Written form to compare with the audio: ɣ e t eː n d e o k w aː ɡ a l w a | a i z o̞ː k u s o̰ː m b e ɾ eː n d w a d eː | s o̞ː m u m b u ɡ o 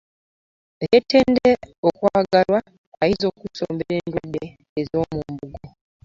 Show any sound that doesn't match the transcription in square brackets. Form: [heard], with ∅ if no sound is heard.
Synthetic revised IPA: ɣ e t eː n d e o k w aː ɡ a l w a | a i z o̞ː k u s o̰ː m b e ɾ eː n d w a d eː | [z] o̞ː m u m b u ɡ o